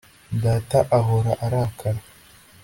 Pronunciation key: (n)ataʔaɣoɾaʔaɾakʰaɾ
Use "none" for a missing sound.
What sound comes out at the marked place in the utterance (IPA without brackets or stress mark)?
d